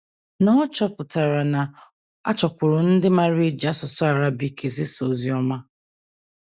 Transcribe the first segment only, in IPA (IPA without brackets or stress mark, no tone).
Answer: n